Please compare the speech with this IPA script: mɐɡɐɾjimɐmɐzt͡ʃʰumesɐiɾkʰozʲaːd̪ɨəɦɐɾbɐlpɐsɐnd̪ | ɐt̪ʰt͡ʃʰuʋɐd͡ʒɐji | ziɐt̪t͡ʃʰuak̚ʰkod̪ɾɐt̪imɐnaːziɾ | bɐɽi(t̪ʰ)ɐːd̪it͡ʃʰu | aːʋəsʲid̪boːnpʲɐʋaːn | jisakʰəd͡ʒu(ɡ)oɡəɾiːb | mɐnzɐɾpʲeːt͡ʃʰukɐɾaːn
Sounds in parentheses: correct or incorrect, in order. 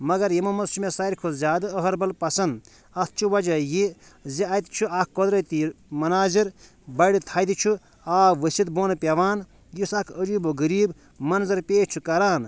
correct, incorrect: b

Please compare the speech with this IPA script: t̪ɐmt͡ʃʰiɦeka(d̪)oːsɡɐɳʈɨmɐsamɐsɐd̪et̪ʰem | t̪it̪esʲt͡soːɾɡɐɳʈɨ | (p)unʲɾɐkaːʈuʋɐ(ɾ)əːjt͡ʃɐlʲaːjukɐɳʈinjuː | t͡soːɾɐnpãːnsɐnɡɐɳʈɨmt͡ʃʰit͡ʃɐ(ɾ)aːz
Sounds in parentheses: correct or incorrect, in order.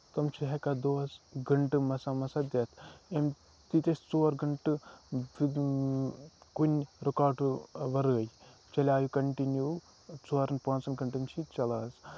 correct, incorrect: k, correct, incorrect: l

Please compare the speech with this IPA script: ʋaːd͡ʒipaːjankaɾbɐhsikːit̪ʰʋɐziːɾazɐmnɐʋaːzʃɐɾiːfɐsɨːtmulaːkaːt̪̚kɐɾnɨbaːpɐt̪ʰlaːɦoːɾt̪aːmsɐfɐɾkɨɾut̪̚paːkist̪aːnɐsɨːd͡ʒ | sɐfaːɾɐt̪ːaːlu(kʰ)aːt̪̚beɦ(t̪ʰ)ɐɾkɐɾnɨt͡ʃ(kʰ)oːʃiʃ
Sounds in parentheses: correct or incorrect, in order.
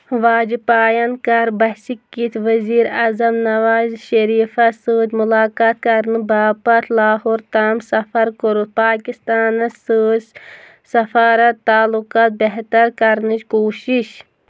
incorrect: k, incorrect: t̪, incorrect: k

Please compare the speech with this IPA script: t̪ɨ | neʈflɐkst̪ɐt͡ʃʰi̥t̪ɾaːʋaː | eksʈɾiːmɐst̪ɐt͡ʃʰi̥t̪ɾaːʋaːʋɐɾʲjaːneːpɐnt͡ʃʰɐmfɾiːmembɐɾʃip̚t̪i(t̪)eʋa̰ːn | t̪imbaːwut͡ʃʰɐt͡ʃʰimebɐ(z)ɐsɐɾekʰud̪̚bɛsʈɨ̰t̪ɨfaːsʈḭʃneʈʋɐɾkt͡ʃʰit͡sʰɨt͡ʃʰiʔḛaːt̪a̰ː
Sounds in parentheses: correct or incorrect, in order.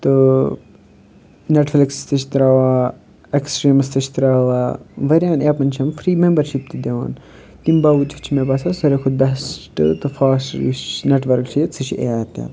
incorrect: d̪, incorrect: s

